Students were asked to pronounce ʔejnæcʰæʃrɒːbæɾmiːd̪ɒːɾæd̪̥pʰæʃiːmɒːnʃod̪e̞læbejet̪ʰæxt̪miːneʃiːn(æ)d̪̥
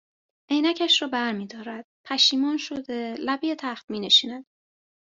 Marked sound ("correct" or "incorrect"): correct